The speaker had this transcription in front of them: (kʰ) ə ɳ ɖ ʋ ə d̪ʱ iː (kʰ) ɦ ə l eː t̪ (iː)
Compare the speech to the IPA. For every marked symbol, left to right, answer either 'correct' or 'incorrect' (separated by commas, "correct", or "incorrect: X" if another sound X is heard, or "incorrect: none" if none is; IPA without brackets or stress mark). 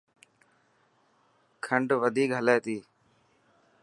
correct, incorrect: k, correct